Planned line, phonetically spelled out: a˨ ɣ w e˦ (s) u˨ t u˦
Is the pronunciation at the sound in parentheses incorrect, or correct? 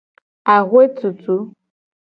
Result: incorrect: t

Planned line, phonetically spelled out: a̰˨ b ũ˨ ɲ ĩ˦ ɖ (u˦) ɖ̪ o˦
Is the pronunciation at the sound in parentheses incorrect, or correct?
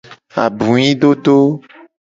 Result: incorrect: o˦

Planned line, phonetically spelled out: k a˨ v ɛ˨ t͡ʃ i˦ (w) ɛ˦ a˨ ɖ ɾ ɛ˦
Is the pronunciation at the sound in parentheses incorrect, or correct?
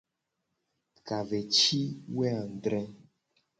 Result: correct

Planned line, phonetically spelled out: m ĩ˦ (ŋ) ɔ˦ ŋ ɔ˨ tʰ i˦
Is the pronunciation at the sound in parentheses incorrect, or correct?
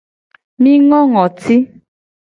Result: correct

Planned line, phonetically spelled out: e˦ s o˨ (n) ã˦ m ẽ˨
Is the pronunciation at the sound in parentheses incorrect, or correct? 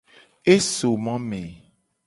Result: incorrect: m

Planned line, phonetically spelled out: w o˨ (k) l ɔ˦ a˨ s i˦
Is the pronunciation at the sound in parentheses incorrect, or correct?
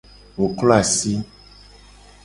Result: correct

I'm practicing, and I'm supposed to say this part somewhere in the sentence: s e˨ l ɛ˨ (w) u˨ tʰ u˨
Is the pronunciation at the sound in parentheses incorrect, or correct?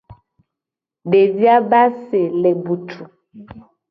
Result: incorrect: b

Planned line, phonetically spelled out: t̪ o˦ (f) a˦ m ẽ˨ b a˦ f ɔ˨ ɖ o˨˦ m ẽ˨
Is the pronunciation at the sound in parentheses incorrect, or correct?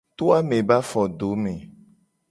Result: incorrect: none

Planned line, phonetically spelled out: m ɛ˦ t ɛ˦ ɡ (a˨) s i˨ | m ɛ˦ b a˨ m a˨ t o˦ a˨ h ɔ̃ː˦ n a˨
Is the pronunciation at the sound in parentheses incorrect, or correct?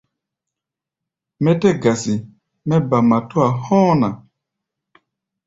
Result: correct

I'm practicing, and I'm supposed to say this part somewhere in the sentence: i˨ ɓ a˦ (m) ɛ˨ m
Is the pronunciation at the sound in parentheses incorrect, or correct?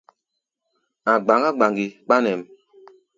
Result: incorrect: n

